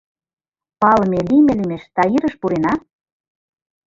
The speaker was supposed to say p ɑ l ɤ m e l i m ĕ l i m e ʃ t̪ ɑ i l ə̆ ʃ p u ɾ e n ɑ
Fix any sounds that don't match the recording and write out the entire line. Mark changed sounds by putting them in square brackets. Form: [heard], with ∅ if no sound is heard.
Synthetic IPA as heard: p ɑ l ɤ m e l i m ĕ l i m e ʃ t̪ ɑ i [ɾ] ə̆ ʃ p u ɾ e n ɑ